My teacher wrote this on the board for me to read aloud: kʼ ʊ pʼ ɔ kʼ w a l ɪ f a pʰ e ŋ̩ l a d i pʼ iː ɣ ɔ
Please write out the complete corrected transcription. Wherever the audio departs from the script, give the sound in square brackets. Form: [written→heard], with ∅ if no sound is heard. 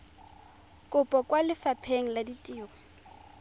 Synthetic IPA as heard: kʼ ʊ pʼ ɔ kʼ w a l ɪ f a pʰ e ŋ̩ l a d i [pʼ→tʼ] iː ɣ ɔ